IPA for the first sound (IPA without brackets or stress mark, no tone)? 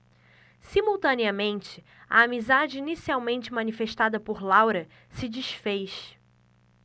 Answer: s